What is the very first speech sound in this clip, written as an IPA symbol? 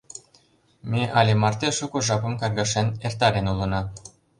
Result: m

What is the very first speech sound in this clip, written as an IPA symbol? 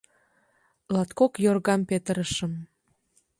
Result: l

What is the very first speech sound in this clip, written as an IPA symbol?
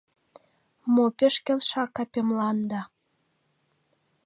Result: m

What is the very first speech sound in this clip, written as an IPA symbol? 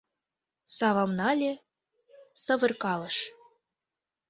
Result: s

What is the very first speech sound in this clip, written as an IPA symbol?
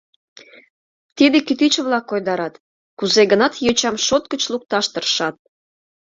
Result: t̪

